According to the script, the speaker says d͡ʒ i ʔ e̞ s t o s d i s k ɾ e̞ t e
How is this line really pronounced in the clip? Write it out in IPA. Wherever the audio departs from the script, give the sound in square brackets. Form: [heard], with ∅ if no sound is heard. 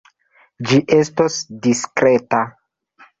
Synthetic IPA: d͡ʒ i ʔ e̞ s t o s d i s k ɾ e̞ t [a]